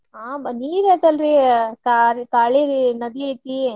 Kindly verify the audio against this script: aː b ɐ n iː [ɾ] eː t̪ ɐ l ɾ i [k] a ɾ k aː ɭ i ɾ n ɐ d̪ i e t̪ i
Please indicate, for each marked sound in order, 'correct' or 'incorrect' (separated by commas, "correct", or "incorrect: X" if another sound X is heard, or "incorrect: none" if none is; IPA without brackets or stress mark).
correct, correct